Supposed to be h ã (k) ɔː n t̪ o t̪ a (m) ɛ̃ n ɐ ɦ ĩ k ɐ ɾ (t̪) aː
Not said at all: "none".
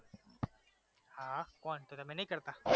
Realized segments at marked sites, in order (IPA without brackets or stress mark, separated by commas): k, m, t̪